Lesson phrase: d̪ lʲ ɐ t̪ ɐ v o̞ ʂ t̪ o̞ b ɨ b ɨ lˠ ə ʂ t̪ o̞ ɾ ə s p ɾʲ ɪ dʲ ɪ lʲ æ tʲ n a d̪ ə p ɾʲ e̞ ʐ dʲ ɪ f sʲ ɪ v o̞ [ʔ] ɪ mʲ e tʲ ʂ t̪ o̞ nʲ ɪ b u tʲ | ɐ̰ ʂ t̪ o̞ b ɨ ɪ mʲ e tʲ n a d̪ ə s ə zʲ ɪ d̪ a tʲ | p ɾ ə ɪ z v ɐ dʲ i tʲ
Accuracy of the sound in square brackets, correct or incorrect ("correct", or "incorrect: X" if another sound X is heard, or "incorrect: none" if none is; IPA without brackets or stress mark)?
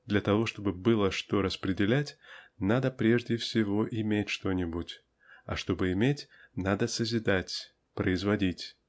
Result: correct